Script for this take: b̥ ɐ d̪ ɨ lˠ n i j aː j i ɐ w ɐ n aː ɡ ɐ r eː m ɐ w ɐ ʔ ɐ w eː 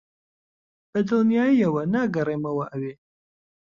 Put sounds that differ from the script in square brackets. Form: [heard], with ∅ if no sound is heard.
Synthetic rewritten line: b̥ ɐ d̪ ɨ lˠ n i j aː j i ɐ w ɐ n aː ɡ ɐ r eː m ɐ w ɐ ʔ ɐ w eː